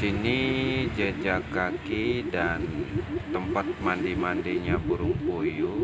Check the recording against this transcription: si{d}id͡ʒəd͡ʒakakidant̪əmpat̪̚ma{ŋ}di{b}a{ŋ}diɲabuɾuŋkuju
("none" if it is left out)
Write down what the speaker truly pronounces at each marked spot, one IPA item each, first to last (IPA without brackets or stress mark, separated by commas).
n, n, m, n